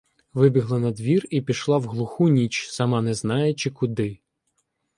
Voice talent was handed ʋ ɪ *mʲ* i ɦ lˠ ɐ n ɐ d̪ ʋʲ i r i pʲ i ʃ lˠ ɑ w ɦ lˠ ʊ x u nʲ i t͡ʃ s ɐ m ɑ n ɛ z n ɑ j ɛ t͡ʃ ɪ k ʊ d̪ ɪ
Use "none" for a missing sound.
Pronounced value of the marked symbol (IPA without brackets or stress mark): bʲ